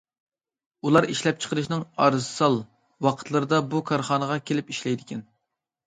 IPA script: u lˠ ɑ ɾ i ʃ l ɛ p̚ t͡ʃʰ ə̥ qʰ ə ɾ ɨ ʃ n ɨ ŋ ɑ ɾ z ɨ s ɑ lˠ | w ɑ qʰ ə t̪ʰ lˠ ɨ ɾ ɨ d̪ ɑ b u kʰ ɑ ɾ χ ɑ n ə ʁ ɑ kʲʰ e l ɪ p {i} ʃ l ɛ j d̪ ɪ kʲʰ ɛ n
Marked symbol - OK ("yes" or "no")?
yes